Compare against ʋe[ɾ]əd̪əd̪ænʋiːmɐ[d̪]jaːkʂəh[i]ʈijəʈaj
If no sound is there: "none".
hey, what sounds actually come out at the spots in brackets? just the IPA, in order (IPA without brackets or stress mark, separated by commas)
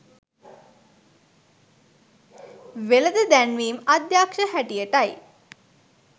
l, d̪, æ